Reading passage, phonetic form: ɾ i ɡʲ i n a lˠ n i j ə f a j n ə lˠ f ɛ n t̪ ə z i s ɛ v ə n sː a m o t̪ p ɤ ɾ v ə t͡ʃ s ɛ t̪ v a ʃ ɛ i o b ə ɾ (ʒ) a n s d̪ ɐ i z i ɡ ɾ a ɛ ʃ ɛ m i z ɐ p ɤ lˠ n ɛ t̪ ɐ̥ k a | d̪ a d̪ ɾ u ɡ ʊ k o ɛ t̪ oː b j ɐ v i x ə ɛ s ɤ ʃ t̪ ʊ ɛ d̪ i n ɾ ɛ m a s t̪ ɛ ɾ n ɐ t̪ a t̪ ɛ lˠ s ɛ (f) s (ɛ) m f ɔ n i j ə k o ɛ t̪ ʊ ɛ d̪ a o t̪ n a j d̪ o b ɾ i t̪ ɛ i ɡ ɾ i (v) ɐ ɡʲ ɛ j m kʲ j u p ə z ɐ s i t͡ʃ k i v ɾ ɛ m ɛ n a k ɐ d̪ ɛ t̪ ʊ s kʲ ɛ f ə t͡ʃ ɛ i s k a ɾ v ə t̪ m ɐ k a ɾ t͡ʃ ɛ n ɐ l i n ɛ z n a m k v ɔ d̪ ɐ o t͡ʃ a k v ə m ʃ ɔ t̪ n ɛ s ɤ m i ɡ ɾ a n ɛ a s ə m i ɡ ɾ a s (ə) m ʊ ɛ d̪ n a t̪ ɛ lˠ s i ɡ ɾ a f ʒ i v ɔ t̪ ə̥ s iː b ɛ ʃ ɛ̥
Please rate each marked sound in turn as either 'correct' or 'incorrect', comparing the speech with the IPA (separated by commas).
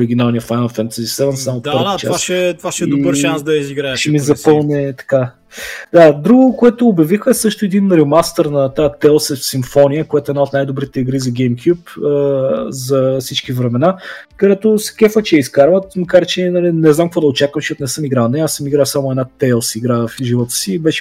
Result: incorrect, correct, incorrect, incorrect, incorrect